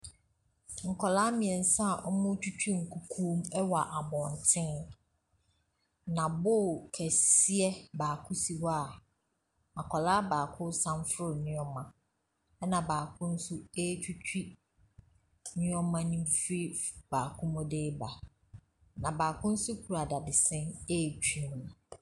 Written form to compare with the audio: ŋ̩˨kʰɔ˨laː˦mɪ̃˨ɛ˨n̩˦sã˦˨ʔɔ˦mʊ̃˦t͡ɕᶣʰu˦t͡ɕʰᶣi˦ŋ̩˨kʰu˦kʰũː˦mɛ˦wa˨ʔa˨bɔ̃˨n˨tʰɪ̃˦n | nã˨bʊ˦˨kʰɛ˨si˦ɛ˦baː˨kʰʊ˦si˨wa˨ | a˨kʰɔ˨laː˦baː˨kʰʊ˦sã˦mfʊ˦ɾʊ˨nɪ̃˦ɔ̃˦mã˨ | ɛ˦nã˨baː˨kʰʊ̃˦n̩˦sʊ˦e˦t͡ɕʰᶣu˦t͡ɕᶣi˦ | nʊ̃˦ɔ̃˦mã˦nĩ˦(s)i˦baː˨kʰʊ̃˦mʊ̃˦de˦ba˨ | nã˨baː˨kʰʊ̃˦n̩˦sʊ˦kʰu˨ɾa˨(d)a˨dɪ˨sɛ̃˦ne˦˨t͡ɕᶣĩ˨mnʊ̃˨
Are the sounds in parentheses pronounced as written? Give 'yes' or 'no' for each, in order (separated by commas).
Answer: no, yes